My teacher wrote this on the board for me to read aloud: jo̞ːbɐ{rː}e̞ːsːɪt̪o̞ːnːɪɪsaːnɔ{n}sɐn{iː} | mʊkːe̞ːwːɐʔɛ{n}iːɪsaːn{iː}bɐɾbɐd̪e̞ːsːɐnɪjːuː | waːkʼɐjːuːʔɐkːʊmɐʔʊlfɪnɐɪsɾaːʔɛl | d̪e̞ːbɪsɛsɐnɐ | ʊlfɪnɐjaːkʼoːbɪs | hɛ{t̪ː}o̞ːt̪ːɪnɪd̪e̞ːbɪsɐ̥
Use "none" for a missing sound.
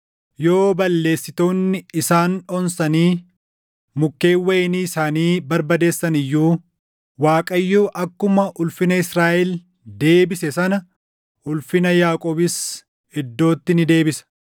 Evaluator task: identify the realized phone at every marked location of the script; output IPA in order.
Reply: lː, n, iː, n, iː, d̪ː

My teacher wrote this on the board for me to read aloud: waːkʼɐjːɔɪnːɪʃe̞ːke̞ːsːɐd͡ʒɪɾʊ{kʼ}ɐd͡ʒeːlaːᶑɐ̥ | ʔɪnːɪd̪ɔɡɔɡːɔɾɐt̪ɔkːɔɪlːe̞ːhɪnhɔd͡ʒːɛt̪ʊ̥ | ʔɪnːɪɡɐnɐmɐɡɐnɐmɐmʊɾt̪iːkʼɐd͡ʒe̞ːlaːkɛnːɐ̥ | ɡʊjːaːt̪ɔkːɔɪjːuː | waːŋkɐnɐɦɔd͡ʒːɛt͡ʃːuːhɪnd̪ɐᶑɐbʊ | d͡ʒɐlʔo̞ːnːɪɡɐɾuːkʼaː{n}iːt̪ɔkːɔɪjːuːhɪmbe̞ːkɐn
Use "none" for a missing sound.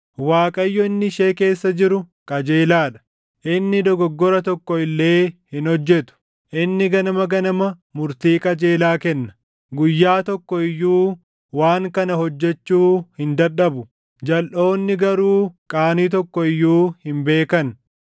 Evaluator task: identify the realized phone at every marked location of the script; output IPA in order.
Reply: kʼ, n

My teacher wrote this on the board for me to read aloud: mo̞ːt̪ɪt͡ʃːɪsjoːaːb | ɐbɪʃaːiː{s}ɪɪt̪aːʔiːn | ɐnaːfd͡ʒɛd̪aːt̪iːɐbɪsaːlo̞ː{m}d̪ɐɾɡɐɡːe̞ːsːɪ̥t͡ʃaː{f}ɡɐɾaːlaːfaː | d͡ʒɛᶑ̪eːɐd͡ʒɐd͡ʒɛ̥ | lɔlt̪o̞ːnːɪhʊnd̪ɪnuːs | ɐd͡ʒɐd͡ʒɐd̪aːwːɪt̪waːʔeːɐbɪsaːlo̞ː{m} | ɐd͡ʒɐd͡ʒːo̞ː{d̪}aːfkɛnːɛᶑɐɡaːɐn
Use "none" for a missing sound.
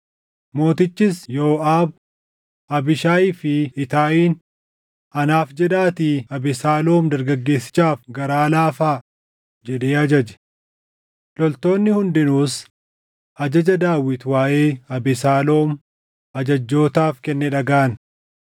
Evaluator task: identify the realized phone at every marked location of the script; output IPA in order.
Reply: f, m, f, m, t̪

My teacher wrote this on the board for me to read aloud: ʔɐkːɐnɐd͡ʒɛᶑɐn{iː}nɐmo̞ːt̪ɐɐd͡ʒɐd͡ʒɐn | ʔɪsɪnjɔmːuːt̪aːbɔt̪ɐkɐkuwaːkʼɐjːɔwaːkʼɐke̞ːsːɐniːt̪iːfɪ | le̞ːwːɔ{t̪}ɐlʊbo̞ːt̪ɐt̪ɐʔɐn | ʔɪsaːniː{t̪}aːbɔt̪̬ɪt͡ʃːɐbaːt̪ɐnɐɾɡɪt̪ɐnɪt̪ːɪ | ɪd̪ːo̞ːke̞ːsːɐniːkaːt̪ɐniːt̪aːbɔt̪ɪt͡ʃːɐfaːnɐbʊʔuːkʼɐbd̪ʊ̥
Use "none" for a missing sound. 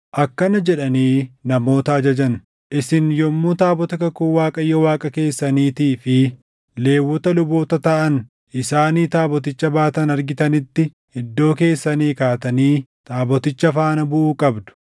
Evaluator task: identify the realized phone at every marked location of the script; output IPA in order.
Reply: iː, t̪, t̪

